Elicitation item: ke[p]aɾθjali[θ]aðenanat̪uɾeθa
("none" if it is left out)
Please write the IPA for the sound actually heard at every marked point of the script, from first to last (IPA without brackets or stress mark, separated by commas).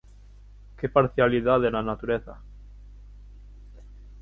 p, ð